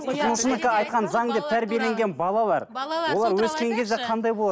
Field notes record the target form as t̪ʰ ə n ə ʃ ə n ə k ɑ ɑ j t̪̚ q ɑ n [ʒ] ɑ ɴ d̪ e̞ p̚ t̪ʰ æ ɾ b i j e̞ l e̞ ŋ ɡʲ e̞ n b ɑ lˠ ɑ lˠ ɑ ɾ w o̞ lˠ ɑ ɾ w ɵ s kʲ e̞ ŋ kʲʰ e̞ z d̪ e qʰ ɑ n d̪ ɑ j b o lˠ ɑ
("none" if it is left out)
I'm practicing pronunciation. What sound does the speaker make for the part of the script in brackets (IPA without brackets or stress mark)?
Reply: z